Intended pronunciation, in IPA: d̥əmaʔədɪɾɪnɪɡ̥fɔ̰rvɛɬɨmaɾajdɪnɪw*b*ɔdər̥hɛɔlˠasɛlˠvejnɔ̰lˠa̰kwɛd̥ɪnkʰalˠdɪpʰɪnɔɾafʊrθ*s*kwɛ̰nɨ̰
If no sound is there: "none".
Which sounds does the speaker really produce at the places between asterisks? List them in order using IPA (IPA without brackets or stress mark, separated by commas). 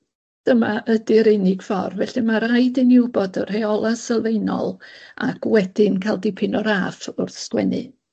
b, s